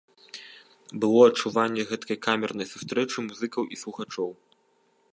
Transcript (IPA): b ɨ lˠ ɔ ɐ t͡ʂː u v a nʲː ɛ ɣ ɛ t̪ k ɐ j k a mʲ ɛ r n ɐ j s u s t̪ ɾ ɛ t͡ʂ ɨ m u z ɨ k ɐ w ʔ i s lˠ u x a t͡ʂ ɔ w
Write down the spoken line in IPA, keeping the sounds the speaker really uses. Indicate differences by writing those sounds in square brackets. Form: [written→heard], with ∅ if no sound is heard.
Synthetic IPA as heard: b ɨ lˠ ɔ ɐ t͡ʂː u v a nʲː ɛ ɣ ɛ t̪ k ɐ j k a mʲ ɛ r n ɐ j s u s t̪ ɾ ɛ t͡ʂ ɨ m u z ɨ k ɐ w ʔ i s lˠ u x a t͡ʂ ɔ w